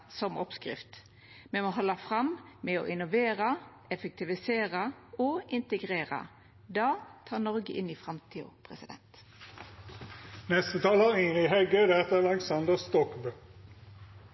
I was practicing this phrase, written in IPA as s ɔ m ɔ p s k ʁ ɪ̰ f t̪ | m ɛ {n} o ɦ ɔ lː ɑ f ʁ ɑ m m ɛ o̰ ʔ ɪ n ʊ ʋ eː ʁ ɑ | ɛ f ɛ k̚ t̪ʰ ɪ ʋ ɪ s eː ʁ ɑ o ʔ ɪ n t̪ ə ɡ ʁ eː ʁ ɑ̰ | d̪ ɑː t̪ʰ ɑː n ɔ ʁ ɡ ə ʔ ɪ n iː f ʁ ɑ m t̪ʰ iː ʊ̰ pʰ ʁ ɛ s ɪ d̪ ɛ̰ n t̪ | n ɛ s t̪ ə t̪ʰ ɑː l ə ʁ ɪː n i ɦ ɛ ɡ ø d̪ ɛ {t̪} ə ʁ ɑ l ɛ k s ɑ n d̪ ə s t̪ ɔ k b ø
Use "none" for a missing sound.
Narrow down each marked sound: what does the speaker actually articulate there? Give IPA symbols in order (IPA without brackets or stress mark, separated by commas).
m, t̪